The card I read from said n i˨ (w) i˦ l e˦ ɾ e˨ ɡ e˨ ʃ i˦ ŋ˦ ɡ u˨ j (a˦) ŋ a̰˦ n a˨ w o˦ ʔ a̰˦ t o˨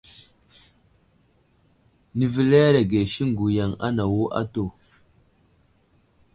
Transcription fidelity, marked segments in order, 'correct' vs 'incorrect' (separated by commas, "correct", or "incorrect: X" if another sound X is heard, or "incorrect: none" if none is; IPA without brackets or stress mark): incorrect: v, incorrect: a˨